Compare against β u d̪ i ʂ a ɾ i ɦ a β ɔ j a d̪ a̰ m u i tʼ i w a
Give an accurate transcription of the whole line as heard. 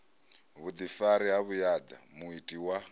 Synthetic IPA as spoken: β u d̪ i f a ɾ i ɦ a β u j a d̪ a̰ m u i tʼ i w a

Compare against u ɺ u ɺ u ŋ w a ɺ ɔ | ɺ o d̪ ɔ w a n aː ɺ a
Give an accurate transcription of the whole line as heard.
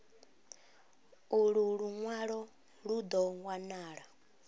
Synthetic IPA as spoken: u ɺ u ɺ u ŋ w a ɺ ɔ | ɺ u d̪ ɔ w a n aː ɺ a

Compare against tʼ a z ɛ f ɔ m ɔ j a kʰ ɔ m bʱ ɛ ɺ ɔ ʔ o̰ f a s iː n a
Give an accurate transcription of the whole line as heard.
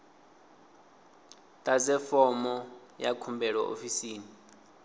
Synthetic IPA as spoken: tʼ a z ɛ f ɔ m ɔ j a kʰ u m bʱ ɛ ɺ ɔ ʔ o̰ f i s iː n i

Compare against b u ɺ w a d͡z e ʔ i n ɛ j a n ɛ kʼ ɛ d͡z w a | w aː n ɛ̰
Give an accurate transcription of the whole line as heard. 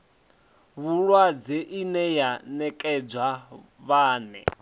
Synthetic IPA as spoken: β u ɺ w a d͡z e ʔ i n ɛ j a n ɛ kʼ ɛ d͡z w a | β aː n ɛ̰

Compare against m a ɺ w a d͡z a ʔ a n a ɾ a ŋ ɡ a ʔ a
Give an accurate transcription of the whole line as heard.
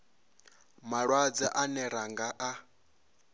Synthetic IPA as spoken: m a ɺ w a d͡z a ʔ a n ɛ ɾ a ŋ ɡ a ʔ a

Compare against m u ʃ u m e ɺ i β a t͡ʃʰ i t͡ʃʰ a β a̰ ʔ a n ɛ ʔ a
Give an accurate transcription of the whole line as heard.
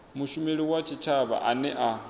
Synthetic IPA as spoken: m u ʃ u m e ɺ i w a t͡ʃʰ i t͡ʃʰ a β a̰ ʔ a n ɛ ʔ a

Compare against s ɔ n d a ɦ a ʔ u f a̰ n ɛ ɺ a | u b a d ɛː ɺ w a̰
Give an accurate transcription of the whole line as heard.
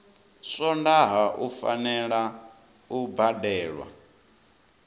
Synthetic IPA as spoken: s ɔ n d a ɦ a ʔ u f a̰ n ɛ ɺ a | u b a d ɛː ɺ w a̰

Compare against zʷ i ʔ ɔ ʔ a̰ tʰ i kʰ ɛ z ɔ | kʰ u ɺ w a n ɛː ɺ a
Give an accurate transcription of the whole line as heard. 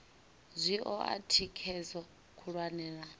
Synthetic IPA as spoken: zʷ i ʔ ɔ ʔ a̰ tʰ i kʰ ɛ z ɔ | kʰ u ɺ w a n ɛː ɺ a

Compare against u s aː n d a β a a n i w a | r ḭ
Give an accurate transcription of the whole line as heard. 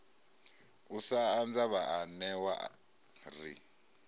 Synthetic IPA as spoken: u s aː n d͡z a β a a n ɛ w a | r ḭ

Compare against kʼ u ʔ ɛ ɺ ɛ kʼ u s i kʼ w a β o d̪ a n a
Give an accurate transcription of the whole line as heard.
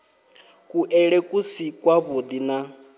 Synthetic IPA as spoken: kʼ u ʔ ɛ ɺ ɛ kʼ u s i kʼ w a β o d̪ i n a

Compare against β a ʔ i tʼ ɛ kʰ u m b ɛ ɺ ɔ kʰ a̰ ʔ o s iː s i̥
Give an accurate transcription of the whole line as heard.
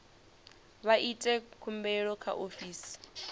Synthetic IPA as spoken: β a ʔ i tʼ ɛ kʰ u m b ɛ ɺ ɔ kʰ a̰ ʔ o f iː s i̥

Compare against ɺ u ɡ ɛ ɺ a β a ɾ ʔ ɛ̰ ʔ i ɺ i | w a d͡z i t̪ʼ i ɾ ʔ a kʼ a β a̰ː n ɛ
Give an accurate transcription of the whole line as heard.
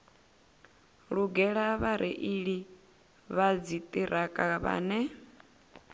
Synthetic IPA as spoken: ɺ u ɡ ɛ ɺ a β a ɾ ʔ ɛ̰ ʔ i ɺ i | β a d͡z i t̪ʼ i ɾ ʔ a kʼ a β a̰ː n ɛ

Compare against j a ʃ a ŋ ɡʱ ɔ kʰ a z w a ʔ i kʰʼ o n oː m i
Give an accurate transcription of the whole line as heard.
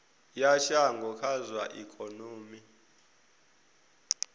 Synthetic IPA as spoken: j a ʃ a ŋ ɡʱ ɔ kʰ a z w a ʔ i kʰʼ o n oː m i

